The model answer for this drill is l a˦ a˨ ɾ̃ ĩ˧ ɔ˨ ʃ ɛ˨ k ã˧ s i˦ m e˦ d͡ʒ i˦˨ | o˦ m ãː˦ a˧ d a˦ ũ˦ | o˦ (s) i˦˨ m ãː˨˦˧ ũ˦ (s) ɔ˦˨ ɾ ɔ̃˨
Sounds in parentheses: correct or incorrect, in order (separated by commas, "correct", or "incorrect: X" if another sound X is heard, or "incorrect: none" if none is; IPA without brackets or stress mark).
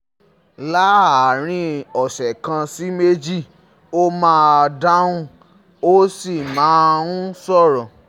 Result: correct, correct